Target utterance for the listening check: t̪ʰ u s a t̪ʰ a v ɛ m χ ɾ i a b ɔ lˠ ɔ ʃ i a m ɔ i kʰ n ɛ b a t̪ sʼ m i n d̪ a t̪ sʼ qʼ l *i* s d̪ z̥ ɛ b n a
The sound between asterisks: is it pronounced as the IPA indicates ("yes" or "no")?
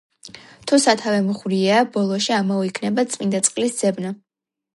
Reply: yes